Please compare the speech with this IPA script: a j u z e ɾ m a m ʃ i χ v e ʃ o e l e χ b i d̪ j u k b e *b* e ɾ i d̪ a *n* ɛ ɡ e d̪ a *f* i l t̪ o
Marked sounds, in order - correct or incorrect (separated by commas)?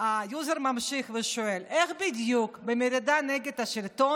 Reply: incorrect, correct, incorrect